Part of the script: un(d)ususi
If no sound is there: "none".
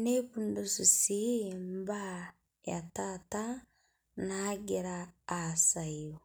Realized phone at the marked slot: d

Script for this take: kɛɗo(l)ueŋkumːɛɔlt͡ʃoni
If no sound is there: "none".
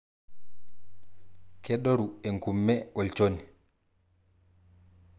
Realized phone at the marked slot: ɾ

